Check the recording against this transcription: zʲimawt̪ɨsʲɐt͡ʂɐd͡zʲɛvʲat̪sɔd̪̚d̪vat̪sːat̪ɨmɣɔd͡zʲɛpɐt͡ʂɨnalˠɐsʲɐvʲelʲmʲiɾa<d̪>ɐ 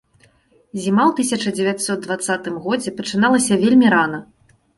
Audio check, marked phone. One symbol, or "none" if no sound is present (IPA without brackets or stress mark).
n̪